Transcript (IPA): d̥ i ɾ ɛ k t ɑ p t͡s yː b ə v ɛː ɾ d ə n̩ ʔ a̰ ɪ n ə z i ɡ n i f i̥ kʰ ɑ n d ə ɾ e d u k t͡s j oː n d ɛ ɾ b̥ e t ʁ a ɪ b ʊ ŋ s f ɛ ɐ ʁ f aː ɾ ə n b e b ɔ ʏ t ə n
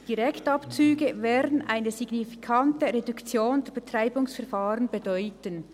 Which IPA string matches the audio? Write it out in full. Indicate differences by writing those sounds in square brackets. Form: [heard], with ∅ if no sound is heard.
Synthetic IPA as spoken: d̥ i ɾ ɛ k t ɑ p t͡s yː [ɡ] ə v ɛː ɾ d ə n̩ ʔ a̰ ɪ n ə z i ɡ n i f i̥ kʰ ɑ n [t] ə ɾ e d u k t͡s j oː n d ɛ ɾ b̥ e t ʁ a ɪ b ʊ ŋ s f ɛ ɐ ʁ f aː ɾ ə n b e [d] ɔ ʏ t ə n